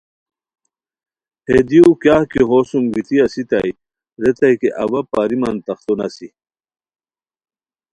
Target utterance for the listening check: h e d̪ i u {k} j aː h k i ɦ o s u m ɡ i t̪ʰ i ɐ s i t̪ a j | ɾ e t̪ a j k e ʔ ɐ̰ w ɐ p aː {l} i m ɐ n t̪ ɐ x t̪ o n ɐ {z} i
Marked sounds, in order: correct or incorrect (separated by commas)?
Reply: correct, incorrect, incorrect